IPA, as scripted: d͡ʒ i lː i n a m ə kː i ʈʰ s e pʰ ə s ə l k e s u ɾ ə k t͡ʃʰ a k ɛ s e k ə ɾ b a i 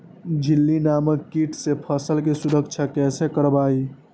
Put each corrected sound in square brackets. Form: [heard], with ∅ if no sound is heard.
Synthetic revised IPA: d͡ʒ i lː i n a m ə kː i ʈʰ s e pʰ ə s ə l k e s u ɾ ə k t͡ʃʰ a k ɛ s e k ə ɾ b a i